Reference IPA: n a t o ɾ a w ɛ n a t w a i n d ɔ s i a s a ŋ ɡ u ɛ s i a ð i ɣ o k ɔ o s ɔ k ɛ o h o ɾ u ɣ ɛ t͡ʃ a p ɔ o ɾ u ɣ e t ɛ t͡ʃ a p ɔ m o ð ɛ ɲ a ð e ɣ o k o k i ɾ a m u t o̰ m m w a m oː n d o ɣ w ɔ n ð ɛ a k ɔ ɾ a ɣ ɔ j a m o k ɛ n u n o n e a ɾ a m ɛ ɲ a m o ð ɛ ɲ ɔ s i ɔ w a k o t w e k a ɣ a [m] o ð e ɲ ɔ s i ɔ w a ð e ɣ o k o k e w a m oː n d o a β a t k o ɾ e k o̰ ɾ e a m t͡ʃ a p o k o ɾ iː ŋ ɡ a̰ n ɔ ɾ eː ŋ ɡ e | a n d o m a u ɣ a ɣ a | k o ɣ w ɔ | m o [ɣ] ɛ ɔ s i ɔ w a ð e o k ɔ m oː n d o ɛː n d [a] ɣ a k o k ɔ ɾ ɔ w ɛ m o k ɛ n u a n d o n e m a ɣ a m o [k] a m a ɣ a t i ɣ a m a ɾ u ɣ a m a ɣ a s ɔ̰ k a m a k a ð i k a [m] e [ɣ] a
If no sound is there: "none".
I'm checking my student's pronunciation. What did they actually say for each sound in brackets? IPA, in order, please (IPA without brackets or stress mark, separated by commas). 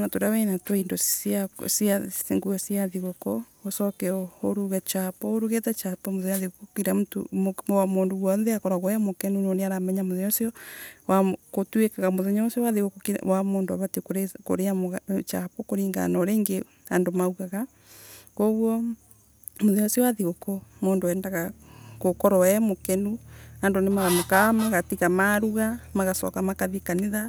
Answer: m, ð, a, k, n, ð